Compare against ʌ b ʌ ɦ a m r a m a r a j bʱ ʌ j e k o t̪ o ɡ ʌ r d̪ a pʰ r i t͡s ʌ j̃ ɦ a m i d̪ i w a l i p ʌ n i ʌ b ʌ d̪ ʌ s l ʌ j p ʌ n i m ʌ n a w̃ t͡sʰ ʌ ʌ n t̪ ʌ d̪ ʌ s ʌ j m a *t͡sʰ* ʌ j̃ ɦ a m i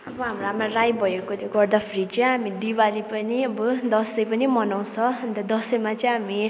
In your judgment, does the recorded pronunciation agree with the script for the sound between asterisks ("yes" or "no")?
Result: no